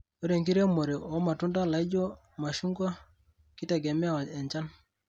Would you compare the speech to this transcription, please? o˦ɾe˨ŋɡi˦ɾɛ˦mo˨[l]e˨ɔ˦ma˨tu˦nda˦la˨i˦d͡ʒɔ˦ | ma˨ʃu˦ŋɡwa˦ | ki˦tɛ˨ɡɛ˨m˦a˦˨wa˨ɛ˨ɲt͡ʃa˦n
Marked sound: incorrect: ɾ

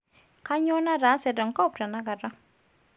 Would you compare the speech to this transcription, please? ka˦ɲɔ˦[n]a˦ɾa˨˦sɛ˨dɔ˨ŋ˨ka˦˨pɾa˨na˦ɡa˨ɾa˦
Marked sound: correct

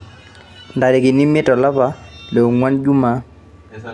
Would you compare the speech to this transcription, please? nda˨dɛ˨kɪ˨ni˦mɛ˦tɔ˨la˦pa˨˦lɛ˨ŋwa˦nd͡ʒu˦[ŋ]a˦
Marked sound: incorrect: m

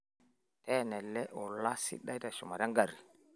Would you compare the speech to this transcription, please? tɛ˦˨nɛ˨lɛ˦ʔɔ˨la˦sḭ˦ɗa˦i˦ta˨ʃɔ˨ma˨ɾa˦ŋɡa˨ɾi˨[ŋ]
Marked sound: incorrect: none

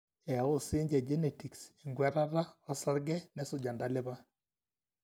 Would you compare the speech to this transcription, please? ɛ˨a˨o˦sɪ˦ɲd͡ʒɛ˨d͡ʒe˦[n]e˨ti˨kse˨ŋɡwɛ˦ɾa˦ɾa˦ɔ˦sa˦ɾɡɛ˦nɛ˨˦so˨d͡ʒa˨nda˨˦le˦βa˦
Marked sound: correct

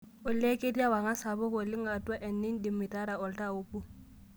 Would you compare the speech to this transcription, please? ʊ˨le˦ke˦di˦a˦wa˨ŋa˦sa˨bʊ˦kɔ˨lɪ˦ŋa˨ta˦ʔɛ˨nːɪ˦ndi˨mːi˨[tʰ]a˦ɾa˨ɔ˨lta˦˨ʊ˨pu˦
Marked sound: incorrect: t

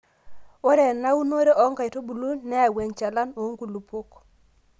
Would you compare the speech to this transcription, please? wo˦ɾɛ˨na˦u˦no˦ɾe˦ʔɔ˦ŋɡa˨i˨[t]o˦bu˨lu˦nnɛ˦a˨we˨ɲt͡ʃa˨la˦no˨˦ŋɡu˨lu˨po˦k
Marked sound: correct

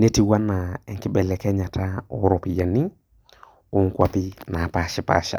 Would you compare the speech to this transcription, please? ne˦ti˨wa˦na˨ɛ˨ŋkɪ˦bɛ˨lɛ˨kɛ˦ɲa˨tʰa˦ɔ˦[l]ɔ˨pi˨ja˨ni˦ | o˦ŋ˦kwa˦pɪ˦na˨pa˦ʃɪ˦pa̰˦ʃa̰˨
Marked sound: incorrect: ɾ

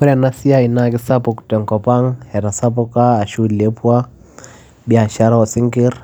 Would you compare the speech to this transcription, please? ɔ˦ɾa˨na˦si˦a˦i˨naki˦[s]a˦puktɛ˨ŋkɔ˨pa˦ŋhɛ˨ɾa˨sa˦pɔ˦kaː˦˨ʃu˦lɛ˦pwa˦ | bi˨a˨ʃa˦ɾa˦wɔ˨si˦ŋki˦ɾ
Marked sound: correct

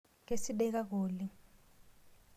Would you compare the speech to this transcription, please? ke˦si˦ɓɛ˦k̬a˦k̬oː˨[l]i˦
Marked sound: correct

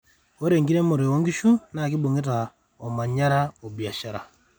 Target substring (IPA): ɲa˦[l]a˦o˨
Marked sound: incorrect: ɾ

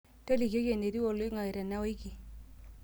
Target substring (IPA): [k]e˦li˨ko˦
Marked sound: incorrect: t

